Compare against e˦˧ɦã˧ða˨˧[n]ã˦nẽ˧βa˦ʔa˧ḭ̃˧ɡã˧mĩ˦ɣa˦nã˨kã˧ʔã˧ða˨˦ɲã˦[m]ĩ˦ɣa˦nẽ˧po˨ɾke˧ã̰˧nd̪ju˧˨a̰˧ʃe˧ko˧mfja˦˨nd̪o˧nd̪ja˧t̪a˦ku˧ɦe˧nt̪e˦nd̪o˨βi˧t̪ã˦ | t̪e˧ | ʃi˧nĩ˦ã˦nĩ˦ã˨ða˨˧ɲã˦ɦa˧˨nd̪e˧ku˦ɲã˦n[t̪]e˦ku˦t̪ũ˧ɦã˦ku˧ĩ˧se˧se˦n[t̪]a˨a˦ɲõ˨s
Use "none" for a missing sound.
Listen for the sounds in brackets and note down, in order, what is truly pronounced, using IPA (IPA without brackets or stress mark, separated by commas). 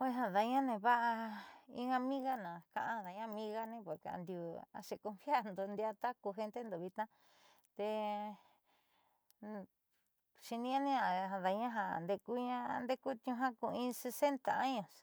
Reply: ɲ, m, d̪, t̪